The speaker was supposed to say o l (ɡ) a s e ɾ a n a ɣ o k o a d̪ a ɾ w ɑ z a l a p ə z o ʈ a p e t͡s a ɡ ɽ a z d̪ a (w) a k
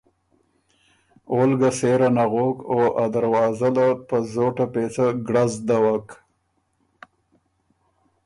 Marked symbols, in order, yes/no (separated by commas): yes, yes